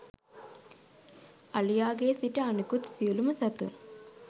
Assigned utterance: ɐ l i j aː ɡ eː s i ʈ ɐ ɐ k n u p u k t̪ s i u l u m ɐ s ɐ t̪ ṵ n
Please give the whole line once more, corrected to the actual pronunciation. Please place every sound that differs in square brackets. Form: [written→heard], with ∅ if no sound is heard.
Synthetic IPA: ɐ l i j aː ɡ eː s i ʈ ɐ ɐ [k→∅] n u [p→k] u [k→∅] t̪ s i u l u m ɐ s ɐ t̪ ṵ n